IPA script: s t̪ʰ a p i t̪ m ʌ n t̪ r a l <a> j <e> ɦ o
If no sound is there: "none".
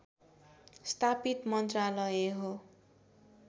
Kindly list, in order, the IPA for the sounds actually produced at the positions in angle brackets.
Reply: ʌ, e

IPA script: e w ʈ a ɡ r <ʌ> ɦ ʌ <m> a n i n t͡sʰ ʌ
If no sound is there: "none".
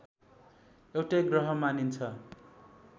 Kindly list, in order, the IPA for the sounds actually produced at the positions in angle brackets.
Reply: ʌ, m

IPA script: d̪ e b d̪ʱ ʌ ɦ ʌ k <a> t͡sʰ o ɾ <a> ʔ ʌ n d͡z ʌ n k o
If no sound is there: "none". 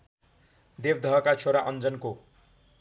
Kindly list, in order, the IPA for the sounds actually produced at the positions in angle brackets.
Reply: a, a

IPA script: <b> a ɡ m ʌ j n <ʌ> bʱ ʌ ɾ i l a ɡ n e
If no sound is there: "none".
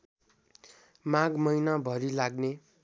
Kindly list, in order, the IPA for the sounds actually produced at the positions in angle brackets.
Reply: m, a

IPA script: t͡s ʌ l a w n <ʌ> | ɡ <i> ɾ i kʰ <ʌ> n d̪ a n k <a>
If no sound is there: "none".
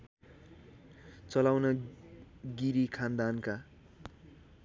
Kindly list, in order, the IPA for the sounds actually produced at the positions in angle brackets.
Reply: ʌ, i, a, a

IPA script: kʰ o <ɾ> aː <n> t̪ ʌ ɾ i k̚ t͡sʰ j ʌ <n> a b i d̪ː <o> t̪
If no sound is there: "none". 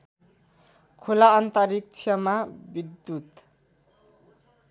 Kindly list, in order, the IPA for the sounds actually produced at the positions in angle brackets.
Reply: l, n, m, u

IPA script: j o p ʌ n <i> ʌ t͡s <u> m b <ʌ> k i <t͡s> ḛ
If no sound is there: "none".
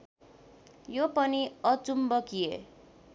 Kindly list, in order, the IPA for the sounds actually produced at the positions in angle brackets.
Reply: i, u, ʌ, none

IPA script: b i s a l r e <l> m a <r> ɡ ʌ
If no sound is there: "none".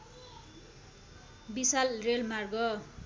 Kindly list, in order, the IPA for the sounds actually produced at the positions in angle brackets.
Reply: l, r

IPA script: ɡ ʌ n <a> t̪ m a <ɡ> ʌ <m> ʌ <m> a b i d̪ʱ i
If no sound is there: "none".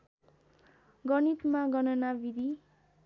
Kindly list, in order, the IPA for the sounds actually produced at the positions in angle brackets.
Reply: i, ɡ, n, n

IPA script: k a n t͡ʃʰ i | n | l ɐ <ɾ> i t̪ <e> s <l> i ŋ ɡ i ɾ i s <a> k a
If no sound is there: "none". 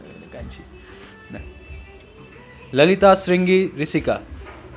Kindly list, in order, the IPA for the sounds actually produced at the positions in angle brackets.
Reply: l, a, ɾ, i

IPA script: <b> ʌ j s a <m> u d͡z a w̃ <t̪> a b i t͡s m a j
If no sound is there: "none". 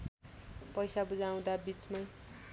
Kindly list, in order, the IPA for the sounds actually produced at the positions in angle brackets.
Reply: p, b, d̪

